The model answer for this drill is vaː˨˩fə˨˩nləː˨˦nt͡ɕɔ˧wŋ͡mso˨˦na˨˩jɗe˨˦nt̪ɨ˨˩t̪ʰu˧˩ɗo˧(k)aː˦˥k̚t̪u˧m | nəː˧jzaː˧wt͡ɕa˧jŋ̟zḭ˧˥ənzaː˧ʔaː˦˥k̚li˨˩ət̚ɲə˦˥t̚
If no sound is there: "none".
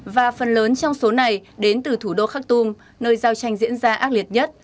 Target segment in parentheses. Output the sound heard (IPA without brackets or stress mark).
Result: x